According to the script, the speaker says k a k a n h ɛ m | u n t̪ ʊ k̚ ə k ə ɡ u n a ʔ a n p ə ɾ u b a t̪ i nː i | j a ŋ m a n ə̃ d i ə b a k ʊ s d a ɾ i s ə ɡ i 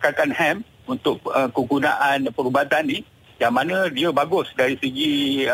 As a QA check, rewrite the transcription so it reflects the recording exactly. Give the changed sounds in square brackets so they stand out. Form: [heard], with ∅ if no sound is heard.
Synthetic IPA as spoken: k a k a n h ɛ m | u n t̪ ʊ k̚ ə k ə ɡ u n a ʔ a n p ə ɾ u b a t̪ [a] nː i | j a ŋ m a n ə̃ d i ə b a [ɡ] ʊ s d a ɾ i s ə ɡ i